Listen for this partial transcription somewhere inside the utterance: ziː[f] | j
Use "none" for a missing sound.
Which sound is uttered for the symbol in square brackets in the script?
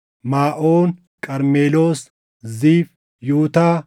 f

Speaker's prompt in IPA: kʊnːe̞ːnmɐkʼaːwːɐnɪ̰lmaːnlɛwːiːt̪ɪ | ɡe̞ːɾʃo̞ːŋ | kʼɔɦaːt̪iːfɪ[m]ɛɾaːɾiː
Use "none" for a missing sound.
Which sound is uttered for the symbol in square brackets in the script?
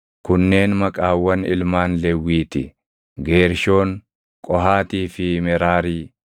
m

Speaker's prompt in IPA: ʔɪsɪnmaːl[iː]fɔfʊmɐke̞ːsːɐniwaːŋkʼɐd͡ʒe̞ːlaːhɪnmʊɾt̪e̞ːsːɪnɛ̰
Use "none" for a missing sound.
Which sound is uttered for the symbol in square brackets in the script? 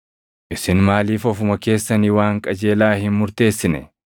iː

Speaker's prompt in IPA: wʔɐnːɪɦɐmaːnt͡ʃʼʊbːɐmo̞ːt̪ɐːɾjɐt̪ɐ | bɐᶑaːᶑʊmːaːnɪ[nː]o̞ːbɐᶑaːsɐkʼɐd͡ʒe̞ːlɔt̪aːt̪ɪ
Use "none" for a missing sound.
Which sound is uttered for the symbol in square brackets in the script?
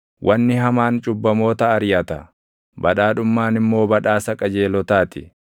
mː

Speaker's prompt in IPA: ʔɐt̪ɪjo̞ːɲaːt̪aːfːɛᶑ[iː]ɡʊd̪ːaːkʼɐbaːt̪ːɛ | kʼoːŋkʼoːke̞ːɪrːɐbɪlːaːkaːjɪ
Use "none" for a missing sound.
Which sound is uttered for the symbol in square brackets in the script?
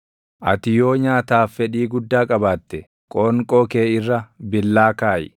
iː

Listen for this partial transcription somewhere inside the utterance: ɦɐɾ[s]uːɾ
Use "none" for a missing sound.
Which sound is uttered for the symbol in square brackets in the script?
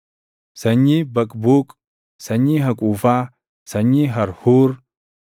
h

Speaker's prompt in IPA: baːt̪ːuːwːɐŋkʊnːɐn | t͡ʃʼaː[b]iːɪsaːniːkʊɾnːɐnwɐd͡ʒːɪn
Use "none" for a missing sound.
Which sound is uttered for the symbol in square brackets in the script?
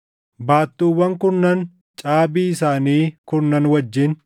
b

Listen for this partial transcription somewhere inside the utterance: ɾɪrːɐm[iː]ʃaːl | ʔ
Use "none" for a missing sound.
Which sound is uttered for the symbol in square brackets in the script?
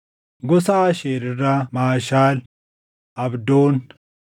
aː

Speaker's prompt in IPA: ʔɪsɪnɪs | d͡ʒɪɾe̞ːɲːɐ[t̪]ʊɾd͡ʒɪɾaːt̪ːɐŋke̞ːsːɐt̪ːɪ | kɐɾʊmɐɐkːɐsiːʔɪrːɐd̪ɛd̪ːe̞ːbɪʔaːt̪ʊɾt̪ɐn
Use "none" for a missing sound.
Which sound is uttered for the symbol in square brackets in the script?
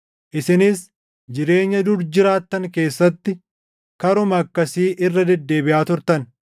d̪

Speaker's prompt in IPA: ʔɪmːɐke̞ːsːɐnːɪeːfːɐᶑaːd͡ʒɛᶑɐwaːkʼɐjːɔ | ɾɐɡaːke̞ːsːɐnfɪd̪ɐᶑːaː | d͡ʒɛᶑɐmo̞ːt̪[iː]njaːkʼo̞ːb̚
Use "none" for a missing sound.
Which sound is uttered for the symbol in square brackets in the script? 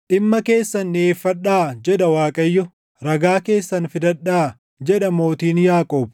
iː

